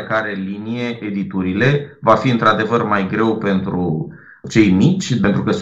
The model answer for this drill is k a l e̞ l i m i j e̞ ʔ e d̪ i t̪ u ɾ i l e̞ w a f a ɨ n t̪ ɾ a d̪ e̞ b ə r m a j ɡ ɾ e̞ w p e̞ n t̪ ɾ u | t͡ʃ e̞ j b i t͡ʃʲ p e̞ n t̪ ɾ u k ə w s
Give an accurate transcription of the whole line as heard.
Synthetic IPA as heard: k a ɾ e̞ l i n i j e̞ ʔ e d̪ i t̪ u ɾ i l e̞ v a f i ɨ n t̪ ɾ a d̪ e̞ v ə r m a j ɡ ɾ e̞ w p e̞ n t̪ ɾ u | t͡ʃ e̞ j m i t͡ʃʲ p e̞ n t̪ ɾ u k ə s